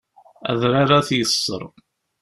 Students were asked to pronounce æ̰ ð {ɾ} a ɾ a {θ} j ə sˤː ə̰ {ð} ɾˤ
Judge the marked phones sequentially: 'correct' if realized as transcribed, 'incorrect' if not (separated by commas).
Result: correct, correct, incorrect